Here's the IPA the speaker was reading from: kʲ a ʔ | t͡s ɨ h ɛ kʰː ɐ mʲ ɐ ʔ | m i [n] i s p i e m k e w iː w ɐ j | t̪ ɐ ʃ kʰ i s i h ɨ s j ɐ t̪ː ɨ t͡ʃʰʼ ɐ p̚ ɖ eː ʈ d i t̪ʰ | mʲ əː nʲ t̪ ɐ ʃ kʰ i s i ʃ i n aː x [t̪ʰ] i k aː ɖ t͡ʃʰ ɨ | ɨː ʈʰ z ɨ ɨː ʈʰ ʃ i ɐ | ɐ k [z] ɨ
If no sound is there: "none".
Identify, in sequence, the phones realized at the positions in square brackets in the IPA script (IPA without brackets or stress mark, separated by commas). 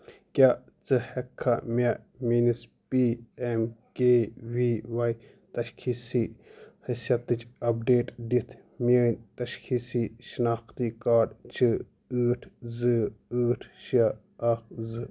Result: n, t̪, z